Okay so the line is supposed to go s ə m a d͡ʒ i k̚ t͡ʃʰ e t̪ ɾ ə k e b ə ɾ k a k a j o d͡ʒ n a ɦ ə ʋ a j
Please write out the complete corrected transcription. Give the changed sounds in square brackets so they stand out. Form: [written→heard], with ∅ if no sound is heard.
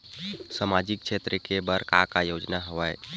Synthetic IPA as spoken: s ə m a d͡ʒ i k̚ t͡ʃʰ e t̪ ɾ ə k e b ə ɾ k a k a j o d͡ʒ n a ɦ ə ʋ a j

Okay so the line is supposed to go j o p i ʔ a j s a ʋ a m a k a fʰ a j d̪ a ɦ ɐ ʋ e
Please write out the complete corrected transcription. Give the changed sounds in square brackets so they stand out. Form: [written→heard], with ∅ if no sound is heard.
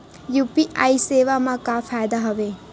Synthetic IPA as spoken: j [o→u] p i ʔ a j s [a→e] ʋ a m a k a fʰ a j d̪ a ɦ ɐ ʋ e

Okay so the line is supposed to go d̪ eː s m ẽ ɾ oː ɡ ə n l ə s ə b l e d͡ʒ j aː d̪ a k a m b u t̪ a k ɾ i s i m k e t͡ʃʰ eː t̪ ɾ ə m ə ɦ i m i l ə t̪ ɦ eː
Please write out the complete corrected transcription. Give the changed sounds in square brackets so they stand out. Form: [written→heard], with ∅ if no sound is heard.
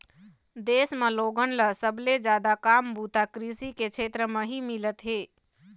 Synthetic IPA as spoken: d̪ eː s m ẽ [ɾ→l] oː ɡ ə n l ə s ə b l e d͡ʒ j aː d̪ a k a m b u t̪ a k ɾ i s i [m→∅] k e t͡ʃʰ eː t̪ ɾ ə m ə ɦ i m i l ə t̪ ɦ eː

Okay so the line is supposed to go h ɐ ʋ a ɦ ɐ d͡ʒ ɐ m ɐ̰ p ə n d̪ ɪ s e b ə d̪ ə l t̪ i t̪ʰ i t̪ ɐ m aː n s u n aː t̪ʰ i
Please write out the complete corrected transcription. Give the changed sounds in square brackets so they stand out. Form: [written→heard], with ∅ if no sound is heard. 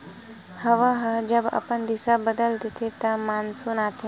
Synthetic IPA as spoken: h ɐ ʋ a ɦ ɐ d͡ʒ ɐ [m→b] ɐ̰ p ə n d̪ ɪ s [e→a] b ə d̪ ə l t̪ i t̪ʰ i t̪ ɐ m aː n s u n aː t̪ʰ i

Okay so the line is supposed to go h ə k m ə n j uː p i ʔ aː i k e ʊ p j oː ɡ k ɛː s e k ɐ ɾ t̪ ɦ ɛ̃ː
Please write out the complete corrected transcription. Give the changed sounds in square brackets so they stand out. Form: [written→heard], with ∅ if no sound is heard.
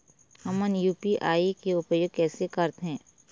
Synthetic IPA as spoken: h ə [k→∅] m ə n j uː p i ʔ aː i k e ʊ p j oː ɡ k ɛː s e k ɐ ɾ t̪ ɦ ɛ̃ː

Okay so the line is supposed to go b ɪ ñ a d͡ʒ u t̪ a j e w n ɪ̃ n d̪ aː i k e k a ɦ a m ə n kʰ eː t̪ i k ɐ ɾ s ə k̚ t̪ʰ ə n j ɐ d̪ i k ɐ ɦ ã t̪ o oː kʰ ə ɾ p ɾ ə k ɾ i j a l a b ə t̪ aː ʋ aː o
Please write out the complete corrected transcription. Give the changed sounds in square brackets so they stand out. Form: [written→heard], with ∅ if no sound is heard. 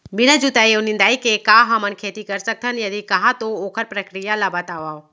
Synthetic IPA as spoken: b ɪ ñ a d͡ʒ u t̪ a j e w n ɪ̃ n d̪ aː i k e k a ɦ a m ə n kʰ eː t̪ i k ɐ ɾ s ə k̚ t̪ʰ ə n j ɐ d̪ i k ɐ ɦ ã t̪ o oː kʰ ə ɾ p ɾ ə k ɾ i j a l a b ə t̪ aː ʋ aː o

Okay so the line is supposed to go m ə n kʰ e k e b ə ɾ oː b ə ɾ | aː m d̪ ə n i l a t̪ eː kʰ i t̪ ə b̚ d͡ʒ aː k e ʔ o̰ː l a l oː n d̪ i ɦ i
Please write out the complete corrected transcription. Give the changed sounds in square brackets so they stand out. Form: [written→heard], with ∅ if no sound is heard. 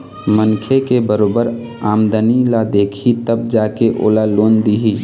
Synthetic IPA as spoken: m ə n kʰ e k e b ə ɾ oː b ə ɾ | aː m d̪ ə n i l a [t̪→d̪] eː kʰ i t̪ ə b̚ d͡ʒ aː k e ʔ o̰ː l a l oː n d̪ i ɦ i

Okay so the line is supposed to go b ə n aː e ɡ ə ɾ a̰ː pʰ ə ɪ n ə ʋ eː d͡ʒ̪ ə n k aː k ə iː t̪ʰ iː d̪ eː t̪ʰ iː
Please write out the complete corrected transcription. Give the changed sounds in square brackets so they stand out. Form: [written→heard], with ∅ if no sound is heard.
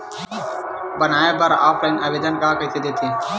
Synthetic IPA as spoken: b ə n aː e [ɡ→b] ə ɾ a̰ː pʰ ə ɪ n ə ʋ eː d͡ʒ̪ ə n k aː k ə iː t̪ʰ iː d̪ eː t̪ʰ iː

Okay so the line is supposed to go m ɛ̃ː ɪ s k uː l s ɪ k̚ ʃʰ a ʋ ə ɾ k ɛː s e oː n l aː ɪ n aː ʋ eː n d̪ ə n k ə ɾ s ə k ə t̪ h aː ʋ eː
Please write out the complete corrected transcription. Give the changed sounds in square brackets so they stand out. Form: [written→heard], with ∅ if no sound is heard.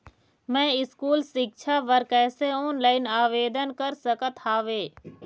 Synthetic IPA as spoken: m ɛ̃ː ɪ s k uː l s ɪ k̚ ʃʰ a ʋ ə ɾ k ɛː s e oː n l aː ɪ n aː ʋ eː [n→∅] d̪ ə n k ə ɾ s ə k ə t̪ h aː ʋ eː

